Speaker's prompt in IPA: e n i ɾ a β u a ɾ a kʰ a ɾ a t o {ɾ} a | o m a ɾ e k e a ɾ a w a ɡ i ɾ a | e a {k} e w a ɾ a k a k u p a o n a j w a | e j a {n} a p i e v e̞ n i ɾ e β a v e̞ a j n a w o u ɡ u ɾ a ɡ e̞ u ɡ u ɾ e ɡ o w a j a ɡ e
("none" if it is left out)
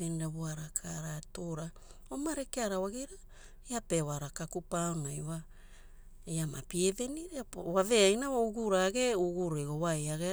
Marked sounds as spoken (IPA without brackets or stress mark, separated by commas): ɾ, p, m